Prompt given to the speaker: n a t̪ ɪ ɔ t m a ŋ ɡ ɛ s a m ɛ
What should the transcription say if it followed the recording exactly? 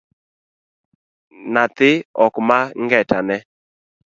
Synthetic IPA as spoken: n a t̪ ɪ ɔ k m a ŋ ɡ ɛ t a n ɛ